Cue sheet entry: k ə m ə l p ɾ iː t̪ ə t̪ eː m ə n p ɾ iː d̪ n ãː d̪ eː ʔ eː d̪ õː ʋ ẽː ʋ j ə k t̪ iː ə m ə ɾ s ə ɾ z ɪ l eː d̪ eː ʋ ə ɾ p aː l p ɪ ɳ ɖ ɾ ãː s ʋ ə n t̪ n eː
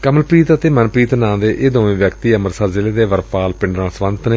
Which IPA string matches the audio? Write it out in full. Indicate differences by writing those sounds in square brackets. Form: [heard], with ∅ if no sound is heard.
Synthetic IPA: k ə m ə l p ɾ iː t̪ ə t̪ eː m ə n p ɾ iː [t̪] n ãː d̪ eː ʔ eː d̪ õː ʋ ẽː ʋ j ə k t̪ iː ə m ə ɾ s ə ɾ z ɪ l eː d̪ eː ʋ ə ɾ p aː l p ɪ ɳ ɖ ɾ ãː s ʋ ə n t̪ n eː